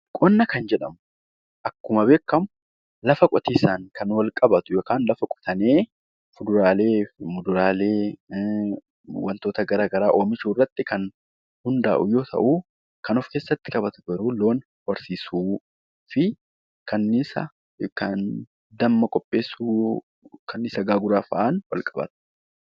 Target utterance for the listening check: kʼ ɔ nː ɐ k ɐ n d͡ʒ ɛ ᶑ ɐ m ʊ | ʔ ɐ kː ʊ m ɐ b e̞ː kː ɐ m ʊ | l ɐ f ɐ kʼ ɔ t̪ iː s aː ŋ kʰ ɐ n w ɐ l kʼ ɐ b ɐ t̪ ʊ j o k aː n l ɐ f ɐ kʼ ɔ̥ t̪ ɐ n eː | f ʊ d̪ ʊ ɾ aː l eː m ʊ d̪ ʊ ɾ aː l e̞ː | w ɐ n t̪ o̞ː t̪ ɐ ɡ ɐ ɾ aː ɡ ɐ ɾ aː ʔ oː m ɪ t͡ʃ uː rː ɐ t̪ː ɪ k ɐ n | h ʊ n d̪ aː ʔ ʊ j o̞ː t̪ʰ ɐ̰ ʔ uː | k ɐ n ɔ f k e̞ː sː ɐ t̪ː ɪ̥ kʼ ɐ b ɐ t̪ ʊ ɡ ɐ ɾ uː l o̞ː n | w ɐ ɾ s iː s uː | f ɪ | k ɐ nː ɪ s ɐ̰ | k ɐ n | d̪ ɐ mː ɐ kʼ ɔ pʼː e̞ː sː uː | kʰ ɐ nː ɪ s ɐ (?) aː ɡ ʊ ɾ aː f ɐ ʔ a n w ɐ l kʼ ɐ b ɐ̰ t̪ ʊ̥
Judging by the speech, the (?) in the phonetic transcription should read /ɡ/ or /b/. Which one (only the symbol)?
ɡ